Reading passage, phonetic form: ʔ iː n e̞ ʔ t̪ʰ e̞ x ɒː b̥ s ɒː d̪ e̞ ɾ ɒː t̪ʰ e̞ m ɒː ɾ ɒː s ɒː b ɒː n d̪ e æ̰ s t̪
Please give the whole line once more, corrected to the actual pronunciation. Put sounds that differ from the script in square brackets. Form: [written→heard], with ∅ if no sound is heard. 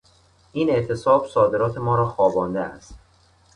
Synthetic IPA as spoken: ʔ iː n e̞ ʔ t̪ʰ e̞ [x→s] ɒː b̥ s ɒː d̪ e̞ ɾ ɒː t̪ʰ e̞ m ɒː ɾ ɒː [s→x] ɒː b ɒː n d̪ e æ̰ s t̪